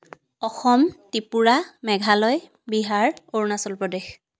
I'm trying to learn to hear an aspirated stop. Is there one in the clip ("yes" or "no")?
no